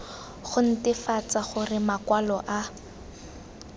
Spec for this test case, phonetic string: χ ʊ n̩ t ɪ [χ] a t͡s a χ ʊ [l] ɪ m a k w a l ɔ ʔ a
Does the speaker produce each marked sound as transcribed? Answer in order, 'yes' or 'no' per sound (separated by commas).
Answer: no, no